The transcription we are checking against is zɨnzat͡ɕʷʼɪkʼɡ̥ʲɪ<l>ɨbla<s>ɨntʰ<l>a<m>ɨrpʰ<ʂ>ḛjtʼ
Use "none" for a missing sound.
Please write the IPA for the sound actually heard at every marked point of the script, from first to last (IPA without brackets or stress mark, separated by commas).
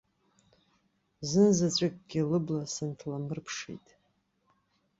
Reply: l, s, l, m, ʂ